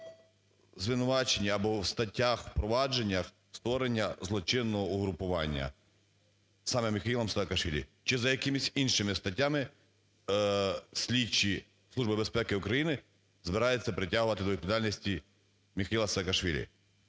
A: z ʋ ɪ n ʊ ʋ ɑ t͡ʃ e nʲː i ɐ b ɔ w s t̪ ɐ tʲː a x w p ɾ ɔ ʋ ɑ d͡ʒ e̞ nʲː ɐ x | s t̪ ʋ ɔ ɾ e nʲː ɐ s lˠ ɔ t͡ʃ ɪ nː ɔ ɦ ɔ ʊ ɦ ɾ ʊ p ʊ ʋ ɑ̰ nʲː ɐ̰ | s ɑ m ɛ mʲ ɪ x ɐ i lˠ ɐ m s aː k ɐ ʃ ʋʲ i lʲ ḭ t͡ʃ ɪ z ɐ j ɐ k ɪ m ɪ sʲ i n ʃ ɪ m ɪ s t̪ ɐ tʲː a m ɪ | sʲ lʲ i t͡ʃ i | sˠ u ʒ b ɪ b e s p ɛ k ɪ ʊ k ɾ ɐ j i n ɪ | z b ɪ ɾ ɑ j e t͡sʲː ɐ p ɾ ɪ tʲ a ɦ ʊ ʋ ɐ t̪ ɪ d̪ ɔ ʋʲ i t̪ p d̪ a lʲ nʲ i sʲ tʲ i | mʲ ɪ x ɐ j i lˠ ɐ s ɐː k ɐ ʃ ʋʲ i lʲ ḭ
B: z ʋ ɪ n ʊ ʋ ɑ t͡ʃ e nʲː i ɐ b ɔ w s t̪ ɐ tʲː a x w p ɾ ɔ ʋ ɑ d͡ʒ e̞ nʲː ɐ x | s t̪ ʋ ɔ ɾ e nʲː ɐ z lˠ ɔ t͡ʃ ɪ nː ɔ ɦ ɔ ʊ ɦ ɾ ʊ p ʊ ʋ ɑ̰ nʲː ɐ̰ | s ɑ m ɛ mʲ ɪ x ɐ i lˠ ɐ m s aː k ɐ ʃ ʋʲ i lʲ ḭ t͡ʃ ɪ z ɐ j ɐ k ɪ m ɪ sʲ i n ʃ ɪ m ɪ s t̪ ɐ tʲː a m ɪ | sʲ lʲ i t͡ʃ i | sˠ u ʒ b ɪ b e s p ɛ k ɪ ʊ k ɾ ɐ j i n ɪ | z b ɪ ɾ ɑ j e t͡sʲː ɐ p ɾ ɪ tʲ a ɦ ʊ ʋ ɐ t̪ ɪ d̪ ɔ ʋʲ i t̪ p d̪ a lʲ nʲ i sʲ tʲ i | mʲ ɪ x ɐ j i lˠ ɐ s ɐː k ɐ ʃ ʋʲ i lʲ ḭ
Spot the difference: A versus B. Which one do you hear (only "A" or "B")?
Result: B